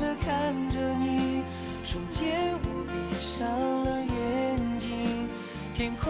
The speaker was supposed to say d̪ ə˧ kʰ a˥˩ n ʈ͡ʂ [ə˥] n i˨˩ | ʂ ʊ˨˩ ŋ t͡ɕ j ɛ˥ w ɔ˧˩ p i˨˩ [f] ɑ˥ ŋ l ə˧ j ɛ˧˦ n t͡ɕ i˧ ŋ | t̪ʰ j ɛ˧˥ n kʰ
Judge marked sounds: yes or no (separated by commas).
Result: no, no